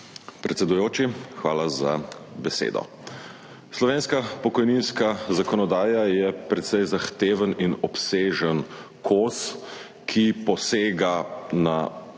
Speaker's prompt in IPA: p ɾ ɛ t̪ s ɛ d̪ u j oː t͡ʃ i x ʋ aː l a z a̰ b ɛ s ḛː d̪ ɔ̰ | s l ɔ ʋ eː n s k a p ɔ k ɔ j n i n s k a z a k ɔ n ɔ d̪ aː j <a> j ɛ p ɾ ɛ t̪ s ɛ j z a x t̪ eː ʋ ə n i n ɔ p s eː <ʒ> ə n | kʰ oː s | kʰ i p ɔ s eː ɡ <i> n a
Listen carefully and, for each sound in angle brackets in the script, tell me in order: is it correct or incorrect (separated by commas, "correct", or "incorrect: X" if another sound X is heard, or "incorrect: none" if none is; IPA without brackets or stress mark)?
correct, correct, incorrect: a